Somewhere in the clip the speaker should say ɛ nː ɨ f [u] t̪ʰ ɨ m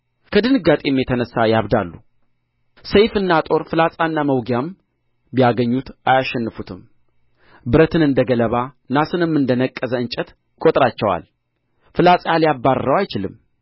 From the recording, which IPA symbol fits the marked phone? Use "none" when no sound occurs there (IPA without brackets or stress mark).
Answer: u